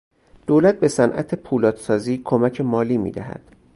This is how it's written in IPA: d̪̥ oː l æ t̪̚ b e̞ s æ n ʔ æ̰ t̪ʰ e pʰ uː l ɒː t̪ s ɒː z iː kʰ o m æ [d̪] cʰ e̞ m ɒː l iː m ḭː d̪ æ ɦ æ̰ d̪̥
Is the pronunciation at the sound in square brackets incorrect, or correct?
incorrect